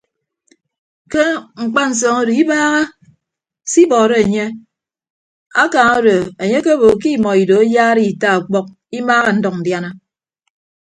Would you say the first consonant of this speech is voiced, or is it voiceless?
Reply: voiceless